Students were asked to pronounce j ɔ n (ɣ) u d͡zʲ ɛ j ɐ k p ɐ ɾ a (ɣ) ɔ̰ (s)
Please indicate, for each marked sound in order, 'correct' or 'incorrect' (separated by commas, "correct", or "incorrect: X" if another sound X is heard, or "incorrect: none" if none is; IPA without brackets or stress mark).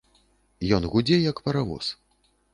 correct, incorrect: v, correct